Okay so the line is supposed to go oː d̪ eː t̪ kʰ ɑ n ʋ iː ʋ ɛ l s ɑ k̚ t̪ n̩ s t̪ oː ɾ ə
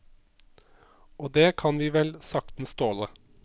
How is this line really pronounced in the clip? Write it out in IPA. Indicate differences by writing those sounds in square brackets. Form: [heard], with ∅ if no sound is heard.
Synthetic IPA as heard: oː d̪ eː [∅] kʰ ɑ n ʋ iː ʋ ɛ l s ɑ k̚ t̪ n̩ s t̪ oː [l] ə